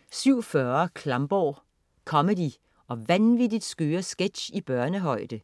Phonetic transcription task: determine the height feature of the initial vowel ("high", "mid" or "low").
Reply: high